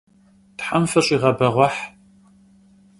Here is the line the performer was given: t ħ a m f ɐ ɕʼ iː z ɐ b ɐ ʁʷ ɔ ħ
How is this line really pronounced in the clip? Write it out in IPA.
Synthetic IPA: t ħ a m f ɐ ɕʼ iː ʁ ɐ b ɐ ʁʷ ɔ ħ